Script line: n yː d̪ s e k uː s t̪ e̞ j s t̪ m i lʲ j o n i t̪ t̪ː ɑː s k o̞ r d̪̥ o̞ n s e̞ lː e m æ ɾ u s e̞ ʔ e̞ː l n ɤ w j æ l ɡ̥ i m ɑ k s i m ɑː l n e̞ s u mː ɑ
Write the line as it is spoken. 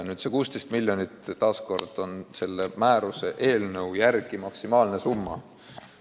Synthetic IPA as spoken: n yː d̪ s e k uː s t̪ e̞ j s t̪ m i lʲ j o n i t̪ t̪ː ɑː s k o̞ r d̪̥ o̞ n s e̞ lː e m æː ɾ u s e̞ ʔ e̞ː l n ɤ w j æ r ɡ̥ i m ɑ k s i m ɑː l n e̞ s u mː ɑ